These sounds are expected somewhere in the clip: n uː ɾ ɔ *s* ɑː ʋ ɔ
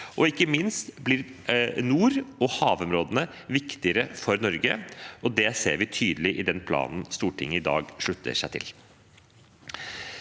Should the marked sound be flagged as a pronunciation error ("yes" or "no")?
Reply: yes